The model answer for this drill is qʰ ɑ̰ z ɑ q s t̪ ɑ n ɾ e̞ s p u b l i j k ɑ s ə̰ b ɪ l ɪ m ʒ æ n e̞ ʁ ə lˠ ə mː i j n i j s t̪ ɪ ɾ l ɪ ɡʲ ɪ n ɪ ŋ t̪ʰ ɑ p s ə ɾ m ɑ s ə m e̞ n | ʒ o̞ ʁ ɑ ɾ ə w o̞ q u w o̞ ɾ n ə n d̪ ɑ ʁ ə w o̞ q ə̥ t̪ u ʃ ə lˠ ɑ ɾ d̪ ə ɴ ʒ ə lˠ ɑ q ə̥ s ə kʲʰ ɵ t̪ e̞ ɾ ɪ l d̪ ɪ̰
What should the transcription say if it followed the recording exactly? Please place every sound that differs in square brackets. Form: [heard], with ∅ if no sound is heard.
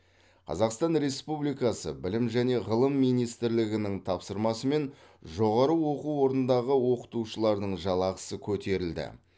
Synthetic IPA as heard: qʰ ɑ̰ z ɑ q s t̪ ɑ n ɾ e̞ s p u b l i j k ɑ s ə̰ b ɪ l ɪ m ʒ æ n e̞ ʁ ə lˠ ə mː i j n i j s t̪ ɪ ɾ l ɪ ɡʲ ɪ n ɪ ŋ t̪ʰ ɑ p s ə ɾ m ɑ s ə m e̞ n | ʒ o̞ ʁ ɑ ɾ ə w o̞ q u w o̞ ɾ n ə n d̪ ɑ ʁ ə w o̞ q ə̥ t̪ u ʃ ə lˠ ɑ ɾ d̪ ə ɴ ʒ [ɑ] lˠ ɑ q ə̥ s ə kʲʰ ɵ t̪ e̞ ɾ ɪ l d̪ ɪ̰